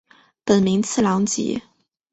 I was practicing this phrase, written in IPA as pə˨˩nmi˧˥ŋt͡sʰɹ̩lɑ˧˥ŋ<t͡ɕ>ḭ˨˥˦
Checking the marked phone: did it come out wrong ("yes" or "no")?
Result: no